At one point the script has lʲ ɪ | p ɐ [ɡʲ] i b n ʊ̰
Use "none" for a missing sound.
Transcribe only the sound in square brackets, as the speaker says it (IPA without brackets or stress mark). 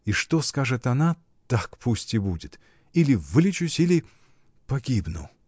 ɡʲ